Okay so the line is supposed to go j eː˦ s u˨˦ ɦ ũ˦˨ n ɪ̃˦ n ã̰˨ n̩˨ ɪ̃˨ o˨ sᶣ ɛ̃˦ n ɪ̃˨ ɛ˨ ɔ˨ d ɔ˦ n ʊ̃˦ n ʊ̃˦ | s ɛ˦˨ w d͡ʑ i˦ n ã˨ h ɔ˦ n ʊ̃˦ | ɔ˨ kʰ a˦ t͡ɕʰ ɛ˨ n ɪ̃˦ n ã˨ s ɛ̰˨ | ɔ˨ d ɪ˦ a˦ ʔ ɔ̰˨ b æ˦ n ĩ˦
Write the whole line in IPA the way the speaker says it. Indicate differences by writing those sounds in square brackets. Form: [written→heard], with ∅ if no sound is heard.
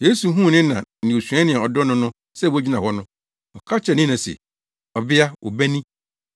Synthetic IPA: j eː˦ s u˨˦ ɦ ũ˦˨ n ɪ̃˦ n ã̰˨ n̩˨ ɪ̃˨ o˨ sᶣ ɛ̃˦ n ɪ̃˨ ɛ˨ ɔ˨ d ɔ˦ n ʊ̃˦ n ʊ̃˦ | s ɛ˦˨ w d͡ʑ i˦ n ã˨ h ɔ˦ n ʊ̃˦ | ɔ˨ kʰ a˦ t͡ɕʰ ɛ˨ n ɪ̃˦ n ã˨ s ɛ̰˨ | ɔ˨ [d→b] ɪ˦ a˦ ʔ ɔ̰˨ b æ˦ n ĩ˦

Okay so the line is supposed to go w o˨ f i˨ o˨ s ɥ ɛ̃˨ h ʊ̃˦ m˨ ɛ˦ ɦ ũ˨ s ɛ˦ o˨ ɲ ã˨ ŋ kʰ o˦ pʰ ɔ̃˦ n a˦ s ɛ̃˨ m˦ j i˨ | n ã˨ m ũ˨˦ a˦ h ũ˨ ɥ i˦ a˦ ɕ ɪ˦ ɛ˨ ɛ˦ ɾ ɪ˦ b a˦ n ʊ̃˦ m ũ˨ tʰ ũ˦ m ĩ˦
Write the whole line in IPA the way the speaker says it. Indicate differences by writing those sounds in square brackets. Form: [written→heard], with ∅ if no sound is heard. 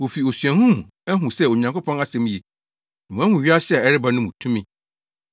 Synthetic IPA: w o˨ f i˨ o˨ s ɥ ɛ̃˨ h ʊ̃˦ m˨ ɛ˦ ɦ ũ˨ s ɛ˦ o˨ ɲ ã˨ ŋ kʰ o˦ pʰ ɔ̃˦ n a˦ s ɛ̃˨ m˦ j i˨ | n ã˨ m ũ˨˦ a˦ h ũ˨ ɥ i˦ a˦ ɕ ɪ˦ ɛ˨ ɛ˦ ɾ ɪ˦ b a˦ n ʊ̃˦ m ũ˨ tʰ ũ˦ m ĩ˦

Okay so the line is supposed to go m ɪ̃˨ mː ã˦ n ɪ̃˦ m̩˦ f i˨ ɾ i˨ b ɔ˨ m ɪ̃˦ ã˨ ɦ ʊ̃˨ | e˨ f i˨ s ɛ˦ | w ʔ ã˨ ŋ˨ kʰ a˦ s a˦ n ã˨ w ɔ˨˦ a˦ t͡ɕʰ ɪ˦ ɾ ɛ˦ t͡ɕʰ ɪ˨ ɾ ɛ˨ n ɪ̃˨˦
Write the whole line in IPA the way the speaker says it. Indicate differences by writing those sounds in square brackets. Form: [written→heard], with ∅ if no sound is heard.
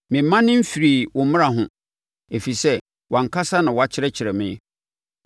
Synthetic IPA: m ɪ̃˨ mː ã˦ n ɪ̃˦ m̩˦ f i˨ ɾ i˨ [b→w] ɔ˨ m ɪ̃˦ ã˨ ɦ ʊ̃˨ | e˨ f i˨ s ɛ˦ | w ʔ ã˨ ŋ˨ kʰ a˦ s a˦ n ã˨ w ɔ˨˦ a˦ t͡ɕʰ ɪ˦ ɾ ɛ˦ t͡ɕʰ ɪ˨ ɾ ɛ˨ [n→m] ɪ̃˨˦

